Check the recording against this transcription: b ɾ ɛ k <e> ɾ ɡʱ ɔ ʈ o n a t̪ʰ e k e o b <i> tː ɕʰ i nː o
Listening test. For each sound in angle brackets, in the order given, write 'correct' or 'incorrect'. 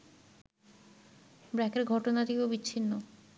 correct, correct

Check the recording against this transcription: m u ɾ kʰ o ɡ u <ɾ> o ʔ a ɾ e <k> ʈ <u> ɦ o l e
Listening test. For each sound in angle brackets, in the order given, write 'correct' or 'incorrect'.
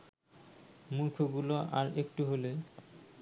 incorrect, correct, correct

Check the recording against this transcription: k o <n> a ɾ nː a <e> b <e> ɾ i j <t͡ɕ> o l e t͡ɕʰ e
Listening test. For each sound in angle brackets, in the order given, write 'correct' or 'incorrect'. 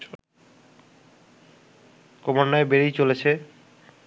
incorrect, correct, correct, correct

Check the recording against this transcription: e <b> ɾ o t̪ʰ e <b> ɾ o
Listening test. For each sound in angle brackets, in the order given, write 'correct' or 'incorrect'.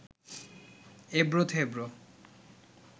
correct, correct

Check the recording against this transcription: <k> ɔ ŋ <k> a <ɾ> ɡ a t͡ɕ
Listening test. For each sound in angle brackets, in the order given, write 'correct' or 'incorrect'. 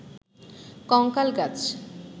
correct, correct, incorrect

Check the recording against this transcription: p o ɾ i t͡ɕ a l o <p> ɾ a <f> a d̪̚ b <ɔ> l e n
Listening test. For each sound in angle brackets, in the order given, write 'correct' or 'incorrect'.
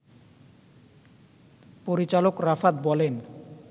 incorrect, correct, correct

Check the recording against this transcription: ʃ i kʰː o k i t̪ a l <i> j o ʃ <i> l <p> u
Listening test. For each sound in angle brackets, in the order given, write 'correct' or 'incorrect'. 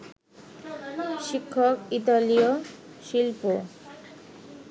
correct, correct, correct

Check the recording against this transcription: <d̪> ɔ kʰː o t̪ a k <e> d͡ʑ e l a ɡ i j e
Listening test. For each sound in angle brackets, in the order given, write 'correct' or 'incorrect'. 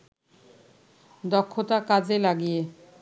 correct, incorrect

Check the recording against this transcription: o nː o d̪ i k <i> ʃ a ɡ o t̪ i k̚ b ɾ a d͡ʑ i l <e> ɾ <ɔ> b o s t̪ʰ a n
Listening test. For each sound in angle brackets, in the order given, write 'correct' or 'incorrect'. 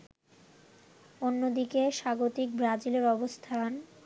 incorrect, correct, correct

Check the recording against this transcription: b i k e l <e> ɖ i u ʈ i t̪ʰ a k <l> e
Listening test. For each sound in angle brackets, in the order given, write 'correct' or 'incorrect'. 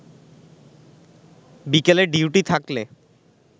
correct, correct

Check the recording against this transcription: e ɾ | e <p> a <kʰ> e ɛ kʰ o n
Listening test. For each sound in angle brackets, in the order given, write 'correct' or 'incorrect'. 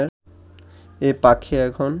correct, correct

